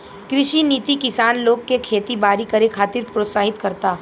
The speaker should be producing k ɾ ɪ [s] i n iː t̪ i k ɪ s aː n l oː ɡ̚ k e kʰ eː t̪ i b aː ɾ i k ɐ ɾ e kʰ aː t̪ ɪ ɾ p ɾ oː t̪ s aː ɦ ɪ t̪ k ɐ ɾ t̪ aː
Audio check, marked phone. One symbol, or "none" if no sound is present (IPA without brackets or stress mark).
ʃ